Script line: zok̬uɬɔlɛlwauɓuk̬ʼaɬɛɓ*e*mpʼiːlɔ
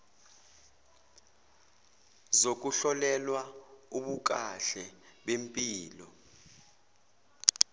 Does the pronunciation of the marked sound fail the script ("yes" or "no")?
no